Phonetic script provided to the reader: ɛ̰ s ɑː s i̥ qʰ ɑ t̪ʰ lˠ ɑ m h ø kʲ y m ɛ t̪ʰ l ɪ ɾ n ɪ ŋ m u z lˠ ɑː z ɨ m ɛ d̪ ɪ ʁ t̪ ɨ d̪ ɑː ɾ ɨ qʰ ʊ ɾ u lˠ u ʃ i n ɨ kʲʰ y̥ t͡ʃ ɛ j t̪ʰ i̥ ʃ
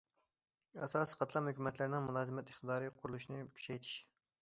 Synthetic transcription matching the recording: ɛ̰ s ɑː s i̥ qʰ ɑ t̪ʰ lˠ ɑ m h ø kʲ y m ɛ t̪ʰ l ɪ ɾ n ɪ ŋ m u lˠ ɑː z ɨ m ɛ t̪ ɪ χ t̪ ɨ d̪ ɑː ɾ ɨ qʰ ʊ ɾ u lˠ u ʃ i n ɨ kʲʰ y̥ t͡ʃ ɛ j t̪ʰ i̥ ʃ